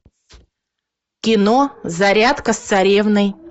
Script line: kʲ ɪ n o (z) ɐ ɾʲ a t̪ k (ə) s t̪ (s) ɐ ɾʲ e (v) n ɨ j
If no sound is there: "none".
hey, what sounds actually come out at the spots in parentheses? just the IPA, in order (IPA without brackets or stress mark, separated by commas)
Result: z, ə, s, v